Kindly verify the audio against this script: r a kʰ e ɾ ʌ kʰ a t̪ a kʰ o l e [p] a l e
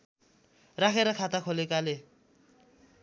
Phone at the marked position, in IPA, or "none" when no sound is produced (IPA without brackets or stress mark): k